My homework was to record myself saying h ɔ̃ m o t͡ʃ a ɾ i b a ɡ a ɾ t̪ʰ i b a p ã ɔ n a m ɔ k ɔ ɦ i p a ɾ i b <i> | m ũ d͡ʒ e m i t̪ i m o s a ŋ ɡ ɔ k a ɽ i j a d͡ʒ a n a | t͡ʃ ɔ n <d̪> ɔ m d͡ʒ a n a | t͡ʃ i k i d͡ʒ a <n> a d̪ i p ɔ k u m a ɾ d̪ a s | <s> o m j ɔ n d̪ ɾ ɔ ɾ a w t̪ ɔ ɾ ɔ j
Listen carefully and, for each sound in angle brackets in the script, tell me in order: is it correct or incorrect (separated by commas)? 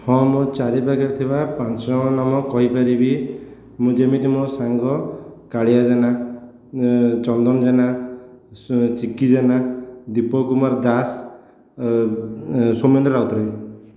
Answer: correct, correct, correct, correct